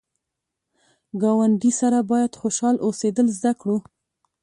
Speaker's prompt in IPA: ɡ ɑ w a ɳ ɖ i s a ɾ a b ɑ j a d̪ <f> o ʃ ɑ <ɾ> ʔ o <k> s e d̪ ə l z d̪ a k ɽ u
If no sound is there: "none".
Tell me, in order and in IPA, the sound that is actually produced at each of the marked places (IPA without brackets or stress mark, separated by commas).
x, l, none